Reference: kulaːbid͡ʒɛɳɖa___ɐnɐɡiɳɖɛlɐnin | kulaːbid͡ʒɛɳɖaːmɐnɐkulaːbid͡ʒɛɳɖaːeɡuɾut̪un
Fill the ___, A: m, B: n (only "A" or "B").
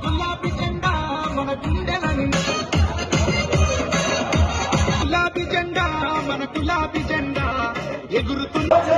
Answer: A